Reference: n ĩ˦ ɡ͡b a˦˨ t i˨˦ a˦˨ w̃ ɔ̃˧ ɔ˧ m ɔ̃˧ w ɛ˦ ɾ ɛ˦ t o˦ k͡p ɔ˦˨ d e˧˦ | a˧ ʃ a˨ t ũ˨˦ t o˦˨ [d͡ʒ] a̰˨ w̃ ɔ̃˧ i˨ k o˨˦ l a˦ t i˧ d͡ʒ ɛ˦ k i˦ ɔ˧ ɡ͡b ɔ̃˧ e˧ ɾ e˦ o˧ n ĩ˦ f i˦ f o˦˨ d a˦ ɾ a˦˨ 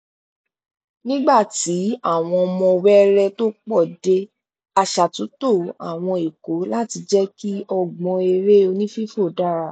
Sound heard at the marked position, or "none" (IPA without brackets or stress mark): none